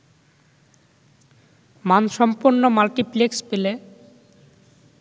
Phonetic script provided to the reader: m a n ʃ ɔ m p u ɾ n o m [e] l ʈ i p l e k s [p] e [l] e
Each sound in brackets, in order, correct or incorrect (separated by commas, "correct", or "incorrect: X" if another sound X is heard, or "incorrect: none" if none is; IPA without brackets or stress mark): incorrect: a, correct, correct